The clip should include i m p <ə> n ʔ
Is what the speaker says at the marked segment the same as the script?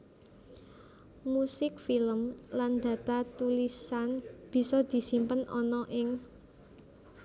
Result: yes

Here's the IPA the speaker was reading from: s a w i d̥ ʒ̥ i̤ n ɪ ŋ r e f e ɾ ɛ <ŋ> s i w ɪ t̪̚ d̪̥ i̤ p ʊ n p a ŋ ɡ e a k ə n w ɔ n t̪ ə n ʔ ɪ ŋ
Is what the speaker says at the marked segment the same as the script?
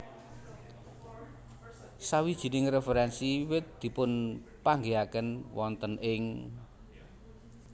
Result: no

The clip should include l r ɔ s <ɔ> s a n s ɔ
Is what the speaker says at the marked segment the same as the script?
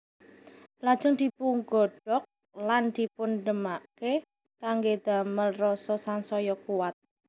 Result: yes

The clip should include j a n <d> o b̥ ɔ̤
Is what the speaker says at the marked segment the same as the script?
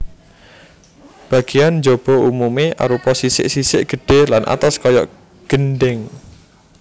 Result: no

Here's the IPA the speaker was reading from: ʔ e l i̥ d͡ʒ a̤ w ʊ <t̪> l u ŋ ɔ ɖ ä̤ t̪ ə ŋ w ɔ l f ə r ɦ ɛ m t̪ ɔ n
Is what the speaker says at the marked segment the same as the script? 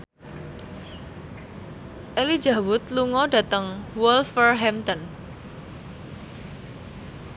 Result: yes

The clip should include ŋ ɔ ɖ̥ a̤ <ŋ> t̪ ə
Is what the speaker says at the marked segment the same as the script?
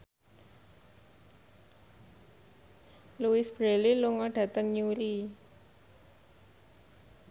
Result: no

